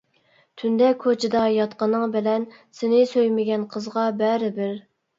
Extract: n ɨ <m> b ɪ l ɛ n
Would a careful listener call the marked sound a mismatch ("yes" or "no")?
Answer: yes